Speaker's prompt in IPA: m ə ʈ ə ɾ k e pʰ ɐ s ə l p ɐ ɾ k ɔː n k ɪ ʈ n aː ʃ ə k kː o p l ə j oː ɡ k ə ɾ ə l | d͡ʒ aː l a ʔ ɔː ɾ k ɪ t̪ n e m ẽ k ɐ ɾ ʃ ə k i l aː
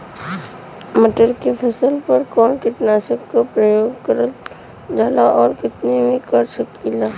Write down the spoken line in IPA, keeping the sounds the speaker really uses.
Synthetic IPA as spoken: m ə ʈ ə ɾ k e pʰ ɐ s ə l p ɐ ɾ k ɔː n k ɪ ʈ n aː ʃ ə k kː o p ɾ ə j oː ɡ k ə ɾ ə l | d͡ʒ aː l a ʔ ɔː ɾ k ɪ t̪ n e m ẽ k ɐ ɾ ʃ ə k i l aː